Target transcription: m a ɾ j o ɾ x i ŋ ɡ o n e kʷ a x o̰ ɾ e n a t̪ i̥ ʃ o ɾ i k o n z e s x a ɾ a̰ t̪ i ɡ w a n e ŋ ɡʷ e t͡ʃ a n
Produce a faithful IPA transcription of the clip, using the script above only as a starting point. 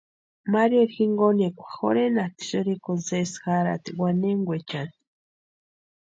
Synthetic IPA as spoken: m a ɾ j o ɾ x i ŋ ɡ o n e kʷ a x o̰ ɾ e n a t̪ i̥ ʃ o ɾ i k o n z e s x a ɾ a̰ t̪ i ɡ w a n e ŋ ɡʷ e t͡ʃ a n